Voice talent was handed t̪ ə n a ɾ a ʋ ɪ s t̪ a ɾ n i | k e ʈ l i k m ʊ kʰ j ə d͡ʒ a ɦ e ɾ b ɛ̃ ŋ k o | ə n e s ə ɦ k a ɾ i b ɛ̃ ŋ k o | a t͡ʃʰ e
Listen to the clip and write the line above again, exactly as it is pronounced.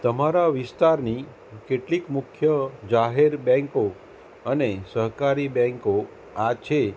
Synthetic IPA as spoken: t̪ ə m a ɾ a ʋ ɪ s t̪ a ɾ n i | k e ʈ l i k m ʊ kʰ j ə d͡ʒ a ɦ e ɾ b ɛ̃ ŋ k o | ə n e s ə ɦ k a ɾ i b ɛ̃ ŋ k o | a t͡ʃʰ e